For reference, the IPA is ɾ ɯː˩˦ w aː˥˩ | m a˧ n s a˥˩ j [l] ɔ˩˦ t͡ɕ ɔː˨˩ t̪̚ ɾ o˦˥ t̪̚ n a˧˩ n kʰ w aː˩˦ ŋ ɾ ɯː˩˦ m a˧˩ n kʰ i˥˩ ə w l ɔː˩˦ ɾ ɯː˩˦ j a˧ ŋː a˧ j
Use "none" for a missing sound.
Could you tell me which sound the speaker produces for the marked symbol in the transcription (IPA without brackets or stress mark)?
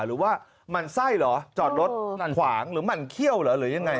l